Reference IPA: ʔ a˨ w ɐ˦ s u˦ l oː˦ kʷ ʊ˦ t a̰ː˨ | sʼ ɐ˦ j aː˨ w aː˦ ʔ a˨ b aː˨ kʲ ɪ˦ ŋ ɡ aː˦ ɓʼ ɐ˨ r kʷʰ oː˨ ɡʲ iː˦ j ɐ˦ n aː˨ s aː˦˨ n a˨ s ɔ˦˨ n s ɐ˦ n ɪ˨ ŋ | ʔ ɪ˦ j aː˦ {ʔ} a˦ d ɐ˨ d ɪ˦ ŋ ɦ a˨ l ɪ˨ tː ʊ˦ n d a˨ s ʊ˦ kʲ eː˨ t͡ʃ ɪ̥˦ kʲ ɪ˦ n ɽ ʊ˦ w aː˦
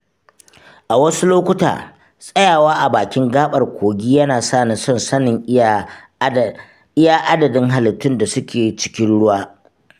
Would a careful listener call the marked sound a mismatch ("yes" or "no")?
no